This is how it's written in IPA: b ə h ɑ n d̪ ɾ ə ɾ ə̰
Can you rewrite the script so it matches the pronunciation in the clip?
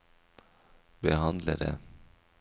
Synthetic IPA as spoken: b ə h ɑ n d̪ l ə ɾ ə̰